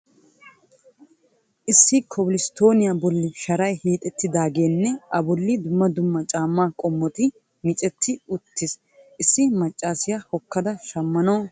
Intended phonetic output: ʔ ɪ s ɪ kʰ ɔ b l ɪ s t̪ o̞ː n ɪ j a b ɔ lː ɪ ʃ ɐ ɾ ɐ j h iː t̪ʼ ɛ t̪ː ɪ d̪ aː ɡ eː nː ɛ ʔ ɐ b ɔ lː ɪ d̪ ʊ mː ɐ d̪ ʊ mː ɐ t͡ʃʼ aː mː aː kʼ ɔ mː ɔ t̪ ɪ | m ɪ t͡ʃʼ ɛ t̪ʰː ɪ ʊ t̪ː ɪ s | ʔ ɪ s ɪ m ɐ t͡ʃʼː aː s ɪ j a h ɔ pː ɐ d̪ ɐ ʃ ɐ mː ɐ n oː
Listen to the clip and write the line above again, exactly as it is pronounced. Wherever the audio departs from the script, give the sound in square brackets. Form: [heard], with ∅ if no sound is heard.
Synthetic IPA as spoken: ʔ ɪ [sː] ɪ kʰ ɔ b l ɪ s t̪ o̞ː n ɪ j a b ɔ lː ɪ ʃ ɐ ɾ ɐ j h iː t̪ʼ ɛ t̪ː ɪ d̪ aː ɡ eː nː ɛ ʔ ɐ b ɔ lː ɪ d̪ ʊ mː ɐ d̪ ʊ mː ɐ t͡ʃʼ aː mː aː kʼ ɔ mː ɔ t̪ ɪ | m ɪ t͡ʃʼ ɛ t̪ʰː ɪ ʊ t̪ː ɪ s | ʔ ɪ [sː] ɪ m ɐ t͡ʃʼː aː s ɪ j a h ɔ [kː] ɐ d̪ ɐ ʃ ɐ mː ɐ n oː